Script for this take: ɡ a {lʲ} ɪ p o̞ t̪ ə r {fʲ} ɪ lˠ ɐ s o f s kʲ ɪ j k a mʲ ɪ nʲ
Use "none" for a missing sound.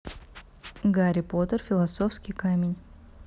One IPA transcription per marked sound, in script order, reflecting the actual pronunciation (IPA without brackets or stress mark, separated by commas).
ɾʲ, fʲ